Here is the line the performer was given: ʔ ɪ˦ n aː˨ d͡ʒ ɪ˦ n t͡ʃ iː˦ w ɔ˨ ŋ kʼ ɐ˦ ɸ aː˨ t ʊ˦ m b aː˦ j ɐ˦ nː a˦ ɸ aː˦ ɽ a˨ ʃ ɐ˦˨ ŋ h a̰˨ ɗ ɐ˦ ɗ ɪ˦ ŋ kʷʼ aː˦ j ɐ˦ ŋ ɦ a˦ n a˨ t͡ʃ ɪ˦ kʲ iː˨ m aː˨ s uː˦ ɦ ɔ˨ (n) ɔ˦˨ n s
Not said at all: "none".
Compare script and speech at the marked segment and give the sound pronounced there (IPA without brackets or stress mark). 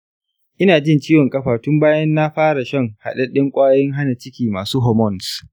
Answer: m